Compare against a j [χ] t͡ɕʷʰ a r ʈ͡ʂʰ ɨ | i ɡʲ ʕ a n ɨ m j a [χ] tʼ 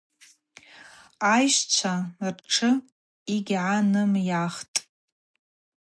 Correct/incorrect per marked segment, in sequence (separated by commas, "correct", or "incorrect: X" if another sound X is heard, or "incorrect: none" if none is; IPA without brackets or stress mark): incorrect: ʃ, correct